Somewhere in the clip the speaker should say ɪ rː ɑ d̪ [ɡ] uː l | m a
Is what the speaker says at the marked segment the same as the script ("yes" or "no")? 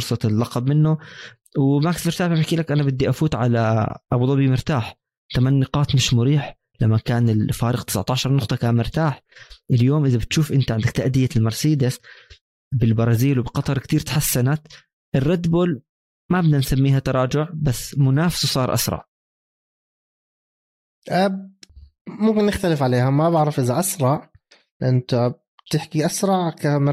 no